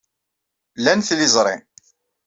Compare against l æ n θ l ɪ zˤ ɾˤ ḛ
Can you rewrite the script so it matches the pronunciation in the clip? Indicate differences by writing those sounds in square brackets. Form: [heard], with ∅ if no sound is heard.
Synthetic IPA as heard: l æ n θ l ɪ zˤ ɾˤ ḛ

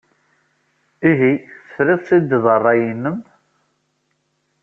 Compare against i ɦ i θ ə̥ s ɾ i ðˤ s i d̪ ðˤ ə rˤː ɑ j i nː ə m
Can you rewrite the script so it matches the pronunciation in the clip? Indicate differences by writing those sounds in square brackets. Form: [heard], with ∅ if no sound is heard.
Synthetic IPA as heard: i ɦ i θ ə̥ [f] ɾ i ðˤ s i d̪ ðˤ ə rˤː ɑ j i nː ə m

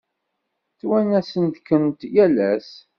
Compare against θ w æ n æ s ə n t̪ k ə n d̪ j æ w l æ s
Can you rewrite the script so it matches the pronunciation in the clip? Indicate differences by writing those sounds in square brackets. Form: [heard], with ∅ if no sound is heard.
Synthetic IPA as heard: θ w æ n æ s ə n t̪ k ə n [t̪] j æ [∅] l æ s

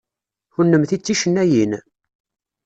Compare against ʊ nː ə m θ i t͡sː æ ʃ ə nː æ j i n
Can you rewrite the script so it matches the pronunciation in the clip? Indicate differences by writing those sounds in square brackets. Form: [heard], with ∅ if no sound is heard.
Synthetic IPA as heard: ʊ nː ə m θ i t͡sː [i] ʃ ə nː æ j i n

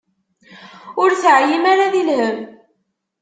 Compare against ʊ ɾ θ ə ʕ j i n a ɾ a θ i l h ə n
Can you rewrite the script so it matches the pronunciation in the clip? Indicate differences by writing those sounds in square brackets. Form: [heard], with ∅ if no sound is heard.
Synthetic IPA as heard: ʊ ɾ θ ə ʕ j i [m] a ɾ a [ð] i l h ə [m]

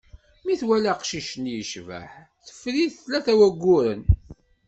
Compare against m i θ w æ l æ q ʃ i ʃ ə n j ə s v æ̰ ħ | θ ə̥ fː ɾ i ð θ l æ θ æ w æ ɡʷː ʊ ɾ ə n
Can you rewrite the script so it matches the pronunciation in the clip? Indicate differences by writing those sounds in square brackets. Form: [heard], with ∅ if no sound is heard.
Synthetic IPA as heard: m i θ w æ l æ q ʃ i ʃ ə n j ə [ʃ] v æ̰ ħ | θ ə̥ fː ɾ i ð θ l æ θ æ w æ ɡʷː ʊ ɾ ə n

